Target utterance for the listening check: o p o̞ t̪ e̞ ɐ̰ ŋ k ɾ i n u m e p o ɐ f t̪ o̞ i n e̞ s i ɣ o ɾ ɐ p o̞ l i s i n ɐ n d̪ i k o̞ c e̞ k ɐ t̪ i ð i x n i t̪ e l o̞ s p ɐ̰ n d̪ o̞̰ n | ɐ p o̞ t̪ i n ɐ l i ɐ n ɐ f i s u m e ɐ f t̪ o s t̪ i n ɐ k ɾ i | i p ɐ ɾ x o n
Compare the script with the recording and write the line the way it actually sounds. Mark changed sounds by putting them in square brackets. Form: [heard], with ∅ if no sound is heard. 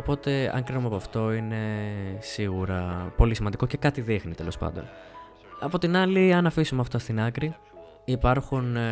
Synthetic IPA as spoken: o p o̞ t̪ e̞ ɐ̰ ŋ k ɾ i n u m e p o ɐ f t̪ o̞ i n e̞ s i ɣ [u] ɾ ɐ p o̞ l i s i [m] ɐ n d̪ i k o̞ c e̞ k ɐ t̪ i ð i x n i t̪ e l o̞ s p ɐ̰ n d̪ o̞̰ n | ɐ p o̞ t̪ i n ɐ l i ɐ n ɐ f i s u m e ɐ f t̪ o s t̪ i n ɐ k ɾ i | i p ɐ ɾ x [u] n